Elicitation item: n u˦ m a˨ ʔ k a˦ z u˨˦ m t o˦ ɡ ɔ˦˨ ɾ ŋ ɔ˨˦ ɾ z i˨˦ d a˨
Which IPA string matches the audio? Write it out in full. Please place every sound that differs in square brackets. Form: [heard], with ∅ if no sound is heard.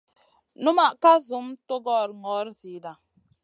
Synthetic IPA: n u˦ m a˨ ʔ k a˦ z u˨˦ m t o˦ ɡ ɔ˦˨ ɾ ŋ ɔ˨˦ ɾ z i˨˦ d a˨